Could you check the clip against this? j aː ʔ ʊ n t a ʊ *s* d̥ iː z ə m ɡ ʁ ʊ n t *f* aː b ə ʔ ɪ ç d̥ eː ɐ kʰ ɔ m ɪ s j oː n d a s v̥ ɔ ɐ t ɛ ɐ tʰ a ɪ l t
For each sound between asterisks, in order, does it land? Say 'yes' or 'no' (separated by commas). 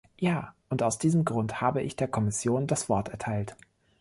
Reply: yes, no